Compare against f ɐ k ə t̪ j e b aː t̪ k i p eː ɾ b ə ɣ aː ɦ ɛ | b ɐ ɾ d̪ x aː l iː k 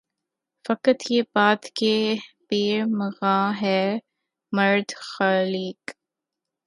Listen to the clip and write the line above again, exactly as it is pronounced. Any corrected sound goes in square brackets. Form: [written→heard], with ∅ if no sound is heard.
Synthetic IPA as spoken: f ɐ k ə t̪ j e b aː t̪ k [i→e] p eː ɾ [b→m] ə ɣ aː ɦ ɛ | [b→m] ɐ ɾ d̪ x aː l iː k